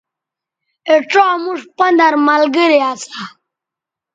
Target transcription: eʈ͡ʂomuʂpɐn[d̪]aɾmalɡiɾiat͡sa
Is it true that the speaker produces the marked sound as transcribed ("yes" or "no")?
yes